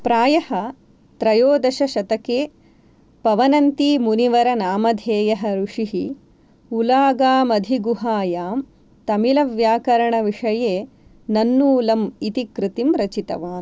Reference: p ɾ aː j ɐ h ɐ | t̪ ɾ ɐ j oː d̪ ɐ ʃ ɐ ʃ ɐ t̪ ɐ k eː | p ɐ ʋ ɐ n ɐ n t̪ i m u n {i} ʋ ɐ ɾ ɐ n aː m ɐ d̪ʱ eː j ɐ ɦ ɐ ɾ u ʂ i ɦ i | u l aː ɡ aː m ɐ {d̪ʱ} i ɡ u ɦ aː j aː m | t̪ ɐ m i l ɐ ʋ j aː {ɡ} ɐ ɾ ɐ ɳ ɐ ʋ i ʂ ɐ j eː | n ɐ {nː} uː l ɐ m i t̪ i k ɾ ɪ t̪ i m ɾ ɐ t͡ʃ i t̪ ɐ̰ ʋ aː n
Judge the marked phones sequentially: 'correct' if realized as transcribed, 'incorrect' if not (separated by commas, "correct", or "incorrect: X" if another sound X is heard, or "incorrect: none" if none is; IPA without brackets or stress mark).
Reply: correct, correct, incorrect: k, correct